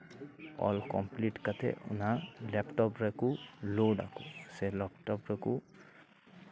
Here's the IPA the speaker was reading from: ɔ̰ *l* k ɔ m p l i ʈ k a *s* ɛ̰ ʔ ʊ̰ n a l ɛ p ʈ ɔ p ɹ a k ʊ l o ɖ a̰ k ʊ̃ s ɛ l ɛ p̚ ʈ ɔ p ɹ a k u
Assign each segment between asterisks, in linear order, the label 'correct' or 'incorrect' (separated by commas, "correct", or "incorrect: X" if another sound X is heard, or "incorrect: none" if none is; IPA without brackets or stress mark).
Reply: correct, incorrect: t